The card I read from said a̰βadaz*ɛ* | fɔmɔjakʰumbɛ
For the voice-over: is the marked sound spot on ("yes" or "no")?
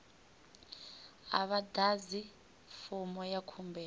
no